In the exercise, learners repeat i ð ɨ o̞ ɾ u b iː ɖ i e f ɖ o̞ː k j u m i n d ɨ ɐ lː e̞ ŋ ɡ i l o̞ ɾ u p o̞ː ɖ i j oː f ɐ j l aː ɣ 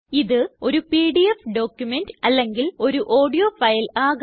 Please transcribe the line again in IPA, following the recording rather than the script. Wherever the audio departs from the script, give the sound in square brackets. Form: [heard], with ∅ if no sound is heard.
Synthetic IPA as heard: i ð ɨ o̞ ɾ u [p] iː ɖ i e f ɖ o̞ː k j u m [e] n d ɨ ɐ lː e̞ ŋ ɡ i l o̞ ɾ u [ʔ] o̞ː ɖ i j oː f ɐ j l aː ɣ

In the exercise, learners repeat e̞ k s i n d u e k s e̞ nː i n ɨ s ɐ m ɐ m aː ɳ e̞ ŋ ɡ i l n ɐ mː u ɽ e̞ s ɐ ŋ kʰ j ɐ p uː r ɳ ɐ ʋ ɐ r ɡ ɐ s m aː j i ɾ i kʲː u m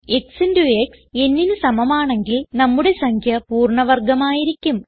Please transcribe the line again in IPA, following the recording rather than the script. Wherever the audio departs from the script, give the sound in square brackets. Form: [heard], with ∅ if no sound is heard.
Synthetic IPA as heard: e̞ k s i n d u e k s e̞ nː i n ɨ s ɐ m ɐ m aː ɳ e̞ ŋ ɡ i l n ɐ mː u ɽ e̞ s ɐ ŋ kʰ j ɐ p uː r ɳ ɐ ʋ ɐ r ɡ ɐ [∅] m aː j i ɾ i kʲː u m

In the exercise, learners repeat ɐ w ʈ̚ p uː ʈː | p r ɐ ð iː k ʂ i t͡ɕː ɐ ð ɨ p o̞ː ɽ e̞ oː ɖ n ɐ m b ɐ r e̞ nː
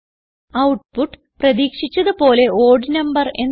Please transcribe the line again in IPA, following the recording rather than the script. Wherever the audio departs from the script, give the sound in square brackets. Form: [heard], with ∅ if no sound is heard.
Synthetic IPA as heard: ɐ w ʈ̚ p [u] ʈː | p r ɐ ð iː k ʂ i t͡ɕː ɐ ð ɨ p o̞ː [l] e̞ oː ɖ n ɐ m b ɐ r e̞ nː

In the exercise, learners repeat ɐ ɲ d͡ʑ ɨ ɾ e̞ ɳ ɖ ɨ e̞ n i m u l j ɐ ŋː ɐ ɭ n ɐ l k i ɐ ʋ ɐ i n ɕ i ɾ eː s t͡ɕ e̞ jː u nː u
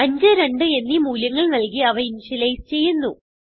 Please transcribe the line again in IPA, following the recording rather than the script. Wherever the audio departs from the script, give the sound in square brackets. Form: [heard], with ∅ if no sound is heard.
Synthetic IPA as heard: ɐ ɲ d͡ʑ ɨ ɾ e̞ ɳ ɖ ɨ e̞ [nː] i m [uː] l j ɐ ŋː ɐ ɭ n ɐ l k i ɐ ʋ ɐ i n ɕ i [l] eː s t͡ɕ e̞ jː u nː u

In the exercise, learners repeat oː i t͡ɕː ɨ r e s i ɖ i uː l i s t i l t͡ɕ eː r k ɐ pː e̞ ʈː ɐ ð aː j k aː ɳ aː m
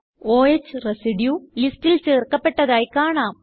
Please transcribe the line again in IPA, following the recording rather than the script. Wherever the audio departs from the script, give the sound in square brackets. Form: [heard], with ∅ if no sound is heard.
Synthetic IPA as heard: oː [e] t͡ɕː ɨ r e s i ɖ [j] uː l i s t i l t͡ɕ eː r k ɐ pː e̞ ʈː ɐ ð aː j k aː ɳ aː m

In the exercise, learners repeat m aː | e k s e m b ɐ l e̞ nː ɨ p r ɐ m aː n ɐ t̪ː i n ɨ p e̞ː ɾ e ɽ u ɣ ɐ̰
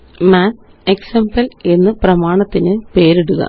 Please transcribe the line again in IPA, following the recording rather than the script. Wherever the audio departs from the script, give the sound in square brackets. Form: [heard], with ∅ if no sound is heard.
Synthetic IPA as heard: m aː | e k s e m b ɐ l e̞ nː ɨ p r ɐ m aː [ɳ] ɐ t̪ː i n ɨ p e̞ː ɾ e ɽ u ɣ ɐ̰

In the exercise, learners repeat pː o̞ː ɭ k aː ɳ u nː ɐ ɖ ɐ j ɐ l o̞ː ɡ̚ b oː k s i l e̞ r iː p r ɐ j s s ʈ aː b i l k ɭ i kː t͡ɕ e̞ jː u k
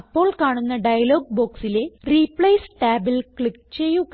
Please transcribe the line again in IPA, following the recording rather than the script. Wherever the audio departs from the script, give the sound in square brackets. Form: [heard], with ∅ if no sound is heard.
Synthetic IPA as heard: pː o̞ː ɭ k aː ɳ u nː ɐ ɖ ɐ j ɐ l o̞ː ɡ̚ b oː k s i l e̞ r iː p [ɭ] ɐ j s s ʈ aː b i l k ɭ i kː t͡ɕ e̞ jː u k

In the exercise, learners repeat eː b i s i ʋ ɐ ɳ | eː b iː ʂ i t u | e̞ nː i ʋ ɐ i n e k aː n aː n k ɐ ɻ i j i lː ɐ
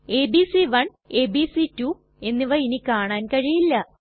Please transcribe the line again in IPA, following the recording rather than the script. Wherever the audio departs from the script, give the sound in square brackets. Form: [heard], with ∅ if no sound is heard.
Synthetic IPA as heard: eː b i s i ʋ ɐ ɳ | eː b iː [s] i t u | e̞ nː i ʋ ɐ i n [i] k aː [ɳ] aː n k ɐ ɻ i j i lː ɐ

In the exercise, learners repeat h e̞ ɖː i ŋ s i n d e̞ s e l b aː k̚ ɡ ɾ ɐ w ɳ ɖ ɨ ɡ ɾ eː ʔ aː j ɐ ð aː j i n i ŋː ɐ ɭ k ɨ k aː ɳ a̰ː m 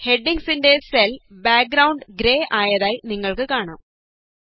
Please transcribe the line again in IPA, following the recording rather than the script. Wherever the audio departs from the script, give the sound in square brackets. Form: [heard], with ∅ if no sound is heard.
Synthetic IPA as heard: h e̞ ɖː i ŋ s i n d e̞ s e l b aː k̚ ɡ ɾ ɐ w ɳ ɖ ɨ ɡ ɾ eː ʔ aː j ɐ ð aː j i n i ŋː ɐ ɭ k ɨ k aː ɳ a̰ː m

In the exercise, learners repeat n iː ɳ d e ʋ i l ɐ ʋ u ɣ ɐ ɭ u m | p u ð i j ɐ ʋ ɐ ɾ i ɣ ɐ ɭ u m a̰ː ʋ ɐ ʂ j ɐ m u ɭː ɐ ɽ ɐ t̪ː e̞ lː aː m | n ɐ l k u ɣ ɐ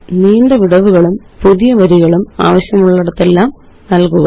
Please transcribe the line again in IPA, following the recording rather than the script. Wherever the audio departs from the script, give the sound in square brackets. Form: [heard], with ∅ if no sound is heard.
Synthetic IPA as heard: n iː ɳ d e ʋ i [ɽ] ɐ ʋ u ɣ ɐ ɭ u m | p u ð i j ɐ ʋ ɐ ɾ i ɣ ɐ ɭ u m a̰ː ʋ ɐ [ɕ] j ɐ m u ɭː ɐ ɽ ɐ t̪ː e̞ lː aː m | n ɐ l k u ɣ ɐ

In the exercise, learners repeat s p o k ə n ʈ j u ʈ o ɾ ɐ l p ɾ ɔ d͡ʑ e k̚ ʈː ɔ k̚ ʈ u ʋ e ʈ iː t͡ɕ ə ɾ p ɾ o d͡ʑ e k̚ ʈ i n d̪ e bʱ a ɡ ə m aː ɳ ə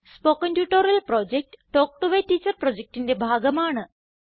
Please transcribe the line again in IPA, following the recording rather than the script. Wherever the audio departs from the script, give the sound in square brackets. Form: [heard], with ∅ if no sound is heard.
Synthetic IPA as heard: s p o k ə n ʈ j u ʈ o ɾ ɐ l p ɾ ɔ d͡ʑ e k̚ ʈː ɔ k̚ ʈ u ʋ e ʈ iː t͡ɕ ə ɾ p ɾ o d͡ʑ e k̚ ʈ i n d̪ e bʱ a ɡ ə m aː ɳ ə

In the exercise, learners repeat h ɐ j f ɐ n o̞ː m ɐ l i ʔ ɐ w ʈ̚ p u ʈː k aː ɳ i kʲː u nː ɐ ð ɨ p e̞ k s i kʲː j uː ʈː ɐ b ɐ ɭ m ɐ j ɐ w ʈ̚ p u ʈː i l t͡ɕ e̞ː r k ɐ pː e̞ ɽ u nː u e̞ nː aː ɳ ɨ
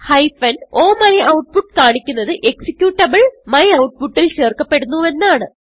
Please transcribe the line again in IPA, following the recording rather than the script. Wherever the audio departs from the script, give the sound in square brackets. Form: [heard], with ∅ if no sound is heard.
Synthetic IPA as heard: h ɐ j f ɐ n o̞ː m ɐ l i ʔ ɐ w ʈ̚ p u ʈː k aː ɳ i kʲː u nː ɐ ð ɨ [ʔ] e̞ k s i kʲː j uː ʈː ɐ b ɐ ɭ m ɐ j ɐ w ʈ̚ p u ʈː i l t͡ɕ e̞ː r k ɐ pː e̞ ɽ u nː u e̞ nː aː ɳ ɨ

